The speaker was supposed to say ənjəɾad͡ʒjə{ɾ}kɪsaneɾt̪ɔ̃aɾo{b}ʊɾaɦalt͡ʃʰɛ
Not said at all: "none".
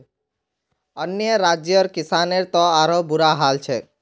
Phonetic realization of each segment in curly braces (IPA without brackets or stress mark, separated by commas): ɾ, b